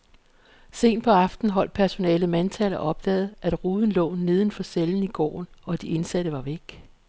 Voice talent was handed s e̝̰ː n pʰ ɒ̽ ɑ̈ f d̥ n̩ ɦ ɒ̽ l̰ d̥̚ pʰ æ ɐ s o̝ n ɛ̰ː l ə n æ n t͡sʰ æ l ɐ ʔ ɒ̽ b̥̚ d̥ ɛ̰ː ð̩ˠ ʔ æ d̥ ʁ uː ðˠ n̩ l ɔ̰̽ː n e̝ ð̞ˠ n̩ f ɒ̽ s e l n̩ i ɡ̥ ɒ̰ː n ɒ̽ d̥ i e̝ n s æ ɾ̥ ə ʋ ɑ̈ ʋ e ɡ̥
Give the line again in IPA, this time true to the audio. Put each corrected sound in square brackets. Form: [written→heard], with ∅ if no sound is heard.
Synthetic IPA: s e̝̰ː n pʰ ɒ̽ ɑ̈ f d̥ n̩ ɦ ɒ̽ l̰ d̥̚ pʰ æ ɐ s o̝ n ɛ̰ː l ə [n→m] æ n t͡sʰ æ l ɐ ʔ ɒ̽ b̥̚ d̥ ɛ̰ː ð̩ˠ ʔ æ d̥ ʁ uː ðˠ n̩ l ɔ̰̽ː n e̝ ð̞ˠ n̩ f ɒ̽ s e l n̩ i ɡ̥ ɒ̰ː n ɒ̽ d̥ i e̝ n s æ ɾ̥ ə ʋ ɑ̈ ʋ e ɡ̥